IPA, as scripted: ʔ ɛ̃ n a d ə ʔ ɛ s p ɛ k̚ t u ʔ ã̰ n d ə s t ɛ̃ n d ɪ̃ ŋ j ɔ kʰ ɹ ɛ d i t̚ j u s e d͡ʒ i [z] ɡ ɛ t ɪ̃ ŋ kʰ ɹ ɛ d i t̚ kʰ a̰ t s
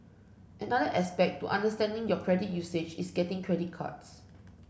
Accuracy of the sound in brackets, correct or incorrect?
incorrect: s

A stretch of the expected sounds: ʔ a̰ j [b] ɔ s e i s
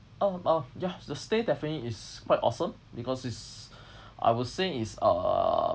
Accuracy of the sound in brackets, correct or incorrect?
incorrect: w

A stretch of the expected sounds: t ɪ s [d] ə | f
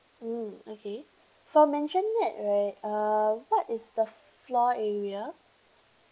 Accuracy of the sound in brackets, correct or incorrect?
correct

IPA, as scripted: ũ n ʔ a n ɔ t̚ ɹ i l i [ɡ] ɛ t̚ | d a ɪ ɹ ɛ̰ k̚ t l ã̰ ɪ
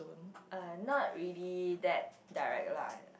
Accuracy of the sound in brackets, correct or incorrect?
incorrect: d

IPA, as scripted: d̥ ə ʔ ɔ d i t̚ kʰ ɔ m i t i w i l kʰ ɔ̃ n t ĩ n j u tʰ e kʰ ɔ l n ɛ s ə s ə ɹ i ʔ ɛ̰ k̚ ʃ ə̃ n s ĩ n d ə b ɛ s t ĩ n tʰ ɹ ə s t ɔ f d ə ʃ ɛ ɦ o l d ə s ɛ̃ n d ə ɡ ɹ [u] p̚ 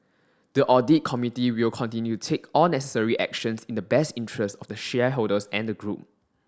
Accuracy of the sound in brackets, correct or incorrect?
correct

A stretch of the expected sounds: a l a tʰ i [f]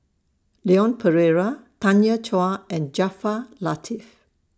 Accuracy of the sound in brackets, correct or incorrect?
correct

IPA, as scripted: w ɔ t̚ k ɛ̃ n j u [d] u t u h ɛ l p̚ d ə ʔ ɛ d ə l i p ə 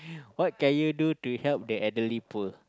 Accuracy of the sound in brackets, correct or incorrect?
correct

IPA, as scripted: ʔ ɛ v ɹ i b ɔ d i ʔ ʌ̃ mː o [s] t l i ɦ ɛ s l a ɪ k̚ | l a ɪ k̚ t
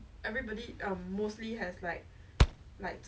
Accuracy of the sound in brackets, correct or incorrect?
correct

